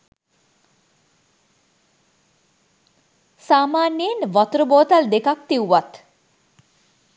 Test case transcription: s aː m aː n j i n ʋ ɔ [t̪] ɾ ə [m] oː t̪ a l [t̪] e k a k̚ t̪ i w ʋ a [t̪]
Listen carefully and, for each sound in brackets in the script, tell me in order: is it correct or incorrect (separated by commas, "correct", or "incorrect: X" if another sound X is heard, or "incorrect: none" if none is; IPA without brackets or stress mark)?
correct, incorrect: b, incorrect: d̪, correct